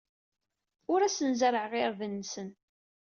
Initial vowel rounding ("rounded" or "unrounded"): rounded